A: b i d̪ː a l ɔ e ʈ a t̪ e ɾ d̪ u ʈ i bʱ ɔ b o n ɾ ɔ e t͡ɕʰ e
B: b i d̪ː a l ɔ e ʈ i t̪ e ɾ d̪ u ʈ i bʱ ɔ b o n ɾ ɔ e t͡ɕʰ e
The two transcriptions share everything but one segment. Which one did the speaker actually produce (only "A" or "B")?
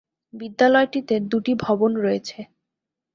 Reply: B